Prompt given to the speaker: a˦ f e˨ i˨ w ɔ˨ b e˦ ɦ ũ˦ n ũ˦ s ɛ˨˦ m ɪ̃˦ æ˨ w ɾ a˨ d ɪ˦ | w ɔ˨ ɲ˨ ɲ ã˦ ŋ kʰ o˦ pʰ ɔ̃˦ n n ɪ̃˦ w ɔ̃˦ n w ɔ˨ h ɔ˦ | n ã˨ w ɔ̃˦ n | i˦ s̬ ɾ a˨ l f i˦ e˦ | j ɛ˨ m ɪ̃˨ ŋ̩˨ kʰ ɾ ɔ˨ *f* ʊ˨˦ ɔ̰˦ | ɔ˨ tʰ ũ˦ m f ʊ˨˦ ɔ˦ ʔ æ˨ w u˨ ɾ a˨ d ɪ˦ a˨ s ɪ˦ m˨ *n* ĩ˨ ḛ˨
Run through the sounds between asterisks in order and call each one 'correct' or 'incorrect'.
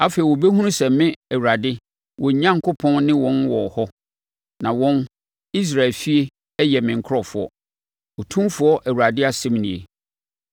correct, correct

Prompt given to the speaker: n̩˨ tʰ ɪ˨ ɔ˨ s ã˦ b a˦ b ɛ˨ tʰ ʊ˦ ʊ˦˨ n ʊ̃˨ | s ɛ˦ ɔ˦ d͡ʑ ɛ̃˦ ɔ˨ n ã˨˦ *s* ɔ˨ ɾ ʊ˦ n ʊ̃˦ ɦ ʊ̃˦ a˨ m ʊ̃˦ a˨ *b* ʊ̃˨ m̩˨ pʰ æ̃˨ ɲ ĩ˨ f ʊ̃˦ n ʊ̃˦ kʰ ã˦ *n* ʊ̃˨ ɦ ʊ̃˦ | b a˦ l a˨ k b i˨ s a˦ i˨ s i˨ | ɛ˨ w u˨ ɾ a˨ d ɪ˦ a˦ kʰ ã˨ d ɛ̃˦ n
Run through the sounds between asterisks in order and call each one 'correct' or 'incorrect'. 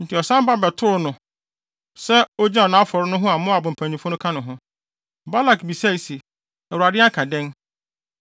incorrect: f, correct, correct

